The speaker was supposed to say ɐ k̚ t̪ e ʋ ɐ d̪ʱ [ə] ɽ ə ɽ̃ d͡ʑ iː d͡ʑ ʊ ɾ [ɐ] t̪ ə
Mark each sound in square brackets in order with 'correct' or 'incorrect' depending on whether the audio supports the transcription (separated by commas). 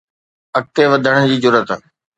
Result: correct, incorrect